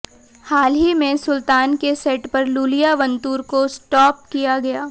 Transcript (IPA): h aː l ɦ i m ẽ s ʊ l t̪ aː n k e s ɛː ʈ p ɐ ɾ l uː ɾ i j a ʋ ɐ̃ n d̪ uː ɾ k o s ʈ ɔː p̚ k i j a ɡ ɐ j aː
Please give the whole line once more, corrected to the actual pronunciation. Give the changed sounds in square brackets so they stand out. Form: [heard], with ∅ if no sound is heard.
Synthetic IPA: h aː l ɦ i m ẽ s ʊ l t̪ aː n k e s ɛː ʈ p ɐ ɾ l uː [l] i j a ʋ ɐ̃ n [t̪] uː ɾ k o s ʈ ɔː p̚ k i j a ɡ ɐ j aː